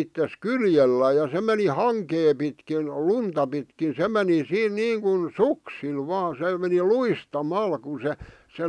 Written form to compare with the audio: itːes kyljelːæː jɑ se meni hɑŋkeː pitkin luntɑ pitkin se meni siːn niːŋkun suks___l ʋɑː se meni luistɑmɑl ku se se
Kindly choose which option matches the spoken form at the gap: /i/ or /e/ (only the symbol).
i